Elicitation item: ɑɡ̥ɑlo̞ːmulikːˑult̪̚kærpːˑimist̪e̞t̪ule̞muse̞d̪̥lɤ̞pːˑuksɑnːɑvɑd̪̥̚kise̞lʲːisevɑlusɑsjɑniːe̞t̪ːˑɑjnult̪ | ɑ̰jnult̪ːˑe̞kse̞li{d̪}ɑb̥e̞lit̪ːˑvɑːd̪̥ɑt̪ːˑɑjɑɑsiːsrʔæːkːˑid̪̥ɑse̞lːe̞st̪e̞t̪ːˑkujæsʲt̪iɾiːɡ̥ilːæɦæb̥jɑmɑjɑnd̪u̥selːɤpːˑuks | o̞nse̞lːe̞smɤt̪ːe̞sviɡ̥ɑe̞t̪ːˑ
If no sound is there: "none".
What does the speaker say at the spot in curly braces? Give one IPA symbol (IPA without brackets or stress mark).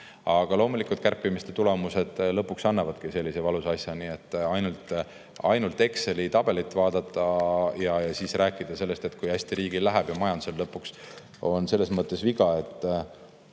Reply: t̪